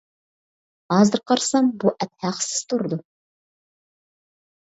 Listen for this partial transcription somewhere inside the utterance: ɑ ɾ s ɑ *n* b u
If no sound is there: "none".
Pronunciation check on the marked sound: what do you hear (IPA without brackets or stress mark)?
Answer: m